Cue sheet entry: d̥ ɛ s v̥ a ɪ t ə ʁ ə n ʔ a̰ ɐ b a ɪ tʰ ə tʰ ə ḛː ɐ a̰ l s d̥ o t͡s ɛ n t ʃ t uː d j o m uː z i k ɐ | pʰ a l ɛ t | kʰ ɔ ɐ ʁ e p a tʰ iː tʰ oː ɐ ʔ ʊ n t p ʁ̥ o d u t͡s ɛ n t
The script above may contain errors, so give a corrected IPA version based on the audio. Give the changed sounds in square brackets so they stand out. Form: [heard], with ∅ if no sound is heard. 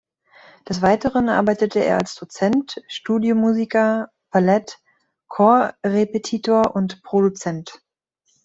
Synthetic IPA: d̥ ɛ s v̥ a ɪ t ə ʁ ə n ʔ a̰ ɐ b a ɪ [t] ə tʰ ə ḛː ɐ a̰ l s d̥ o t͡s ɛ n t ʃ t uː d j o m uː z i k ɐ | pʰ a l ɛ t | kʰ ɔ ɐ ʁ e p [e] tʰ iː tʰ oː ɐ ʔ ʊ n t p ʁ̥ o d u t͡s ɛ n t